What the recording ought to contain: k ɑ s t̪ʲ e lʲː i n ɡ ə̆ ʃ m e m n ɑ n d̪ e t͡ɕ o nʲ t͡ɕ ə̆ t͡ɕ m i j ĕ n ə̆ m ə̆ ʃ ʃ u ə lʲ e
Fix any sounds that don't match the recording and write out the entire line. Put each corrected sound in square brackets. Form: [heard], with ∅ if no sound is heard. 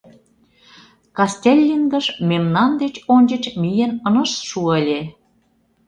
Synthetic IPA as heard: k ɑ s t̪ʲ e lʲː i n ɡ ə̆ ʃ m e m n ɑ n d̪ e t͡ɕ o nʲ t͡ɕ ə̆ t͡ɕ m i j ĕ n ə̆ [n] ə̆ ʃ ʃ u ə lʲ e